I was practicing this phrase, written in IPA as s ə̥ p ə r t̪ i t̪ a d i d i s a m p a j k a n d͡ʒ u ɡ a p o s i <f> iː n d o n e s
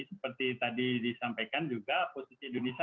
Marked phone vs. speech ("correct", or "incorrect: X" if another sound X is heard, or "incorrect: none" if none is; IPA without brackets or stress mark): incorrect: s